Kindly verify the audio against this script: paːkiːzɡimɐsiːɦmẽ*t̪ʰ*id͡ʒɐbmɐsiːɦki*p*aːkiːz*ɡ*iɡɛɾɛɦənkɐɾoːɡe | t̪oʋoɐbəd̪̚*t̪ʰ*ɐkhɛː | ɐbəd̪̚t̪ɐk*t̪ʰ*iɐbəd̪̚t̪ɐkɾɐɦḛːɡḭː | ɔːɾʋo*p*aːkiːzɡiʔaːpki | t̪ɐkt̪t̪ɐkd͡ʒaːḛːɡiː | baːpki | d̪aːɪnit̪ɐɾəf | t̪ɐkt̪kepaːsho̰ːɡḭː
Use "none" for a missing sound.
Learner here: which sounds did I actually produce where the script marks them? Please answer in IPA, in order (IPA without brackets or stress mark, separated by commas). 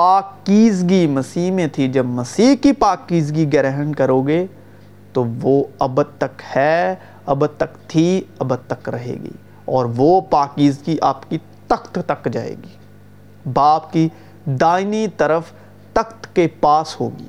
t̪ʰ, p, ɡ, t̪, t̪ʰ, p